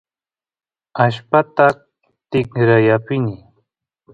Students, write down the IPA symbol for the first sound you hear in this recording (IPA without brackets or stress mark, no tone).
a